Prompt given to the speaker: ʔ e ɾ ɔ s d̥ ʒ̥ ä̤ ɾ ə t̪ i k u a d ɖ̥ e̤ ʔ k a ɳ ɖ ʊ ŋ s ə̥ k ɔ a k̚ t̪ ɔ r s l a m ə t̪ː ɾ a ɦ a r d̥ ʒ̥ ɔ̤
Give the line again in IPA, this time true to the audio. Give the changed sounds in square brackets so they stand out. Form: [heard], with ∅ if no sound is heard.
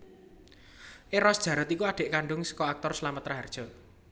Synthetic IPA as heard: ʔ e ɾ ɔ s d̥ ʒ̥ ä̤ ɾ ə t̪ i k u a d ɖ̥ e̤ ʔ k a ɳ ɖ ʊ ŋ s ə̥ k ɔ a k̚ t̪ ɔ r s l a m ə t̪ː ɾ a ɦ a r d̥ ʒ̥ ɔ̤

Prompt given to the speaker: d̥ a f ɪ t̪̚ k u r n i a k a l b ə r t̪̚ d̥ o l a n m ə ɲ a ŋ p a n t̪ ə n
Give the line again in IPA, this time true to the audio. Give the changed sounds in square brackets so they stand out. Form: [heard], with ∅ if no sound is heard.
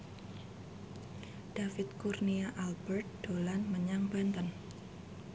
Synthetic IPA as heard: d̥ a f ɪ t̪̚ k u r n i a [ʔ] a l b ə r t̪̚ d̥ o l a n m ə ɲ a ŋ [b] a n t̪ ə n

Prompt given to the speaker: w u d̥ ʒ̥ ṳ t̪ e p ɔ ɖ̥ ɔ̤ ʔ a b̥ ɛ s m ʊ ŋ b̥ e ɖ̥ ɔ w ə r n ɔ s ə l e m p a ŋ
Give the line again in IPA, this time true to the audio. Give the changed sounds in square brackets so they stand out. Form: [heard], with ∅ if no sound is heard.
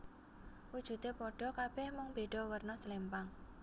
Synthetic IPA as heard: w u d̥ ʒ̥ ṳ t̪ e p ɔ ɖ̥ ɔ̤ [k] a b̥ ɛ [h] m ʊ ŋ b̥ e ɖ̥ ɔ w ə r n ɔ s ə l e m p a ŋ

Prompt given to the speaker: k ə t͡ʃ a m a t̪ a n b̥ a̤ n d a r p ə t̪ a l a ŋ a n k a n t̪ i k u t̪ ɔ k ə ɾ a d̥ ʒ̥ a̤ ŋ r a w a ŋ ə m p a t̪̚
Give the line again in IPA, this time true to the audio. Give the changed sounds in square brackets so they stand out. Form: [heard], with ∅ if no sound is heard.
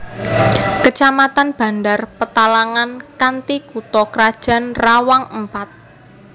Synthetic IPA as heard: k ə t͡ʃ a m a t̪ a n b̥ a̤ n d a r p ə t̪ a l a ŋ a n k a n t̪ i k u t̪ ɔ k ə ɾ a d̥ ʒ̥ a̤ [n] r a w a ŋ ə m p a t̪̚

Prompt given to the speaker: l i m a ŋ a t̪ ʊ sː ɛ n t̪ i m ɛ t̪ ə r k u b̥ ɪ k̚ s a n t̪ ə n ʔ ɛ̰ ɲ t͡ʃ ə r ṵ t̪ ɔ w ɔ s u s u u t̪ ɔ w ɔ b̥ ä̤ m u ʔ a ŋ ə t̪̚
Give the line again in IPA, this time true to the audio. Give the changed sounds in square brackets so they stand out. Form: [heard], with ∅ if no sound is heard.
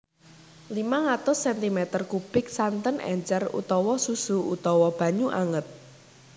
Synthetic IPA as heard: l i m a ŋ a t̪ ʊ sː ɛ n t̪ i m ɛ t̪ ə r k u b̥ ɪ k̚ s a n t̪ ə n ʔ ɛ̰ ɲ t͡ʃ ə r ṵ t̪ ɔ w ɔ s u s u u t̪ ɔ w ɔ b̥ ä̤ [ɲ] u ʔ a ŋ ə t̪̚

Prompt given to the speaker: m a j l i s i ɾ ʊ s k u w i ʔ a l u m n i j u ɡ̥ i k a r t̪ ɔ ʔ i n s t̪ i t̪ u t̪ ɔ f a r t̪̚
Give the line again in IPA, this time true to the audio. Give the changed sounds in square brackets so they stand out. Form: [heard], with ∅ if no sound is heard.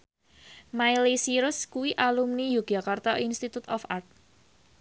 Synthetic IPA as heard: m a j l i s i ɾ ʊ s k u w i ʔ a l u m n i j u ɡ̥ [a] k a r t̪ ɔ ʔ i n s t̪ i t̪ u t̪ ɔ f a r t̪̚

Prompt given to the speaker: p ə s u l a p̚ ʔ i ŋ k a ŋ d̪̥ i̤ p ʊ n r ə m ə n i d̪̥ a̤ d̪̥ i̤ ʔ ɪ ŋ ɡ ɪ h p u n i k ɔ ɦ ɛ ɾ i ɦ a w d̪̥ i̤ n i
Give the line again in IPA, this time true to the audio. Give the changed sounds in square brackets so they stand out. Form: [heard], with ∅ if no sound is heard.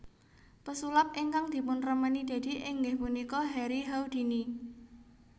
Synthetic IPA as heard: p ə s u l a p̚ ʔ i ŋ k a ŋ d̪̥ i̤ p ʊ n r ə m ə n i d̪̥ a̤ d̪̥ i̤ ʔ ɪ ŋ ɡ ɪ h p u n i k ɔ ɦ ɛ ɾ i ɦ a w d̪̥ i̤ n i

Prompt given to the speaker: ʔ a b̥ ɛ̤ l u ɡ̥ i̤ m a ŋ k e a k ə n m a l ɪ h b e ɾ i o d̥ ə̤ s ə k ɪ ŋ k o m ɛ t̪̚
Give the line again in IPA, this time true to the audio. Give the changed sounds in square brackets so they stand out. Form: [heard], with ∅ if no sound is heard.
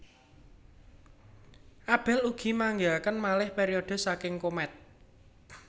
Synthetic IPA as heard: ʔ a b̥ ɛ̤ l u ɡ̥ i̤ m a ŋ [ɡ] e a k ə n m a l ɪ h [p] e ɾ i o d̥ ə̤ s [a] k ɪ ŋ k o m ɛ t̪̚

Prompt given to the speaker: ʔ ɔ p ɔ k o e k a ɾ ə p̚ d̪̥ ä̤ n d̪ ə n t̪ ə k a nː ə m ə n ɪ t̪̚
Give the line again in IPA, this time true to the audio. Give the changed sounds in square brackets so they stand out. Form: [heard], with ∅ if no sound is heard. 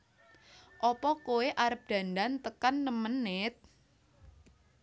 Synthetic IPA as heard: ʔ ɔ p ɔ k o e [ʔ] a ɾ ə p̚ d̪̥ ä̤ n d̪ [a] n t̪ ə k a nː ə m ə n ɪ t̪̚

